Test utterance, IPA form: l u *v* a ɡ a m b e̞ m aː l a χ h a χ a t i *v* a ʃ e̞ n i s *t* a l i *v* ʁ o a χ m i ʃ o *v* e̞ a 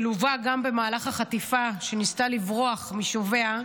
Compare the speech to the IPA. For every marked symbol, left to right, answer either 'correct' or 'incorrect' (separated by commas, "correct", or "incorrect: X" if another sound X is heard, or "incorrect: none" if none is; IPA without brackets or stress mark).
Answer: correct, incorrect: f, correct, correct, correct